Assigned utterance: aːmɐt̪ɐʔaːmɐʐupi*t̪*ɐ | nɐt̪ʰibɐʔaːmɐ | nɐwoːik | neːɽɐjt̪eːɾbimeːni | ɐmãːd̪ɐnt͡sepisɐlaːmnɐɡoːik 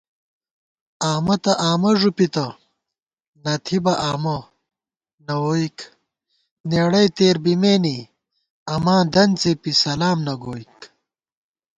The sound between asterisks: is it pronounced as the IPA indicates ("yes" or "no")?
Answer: yes